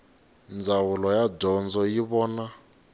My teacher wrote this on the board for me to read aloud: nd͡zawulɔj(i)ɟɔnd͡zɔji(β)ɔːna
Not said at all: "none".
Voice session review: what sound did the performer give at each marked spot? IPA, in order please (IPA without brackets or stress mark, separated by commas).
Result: a, β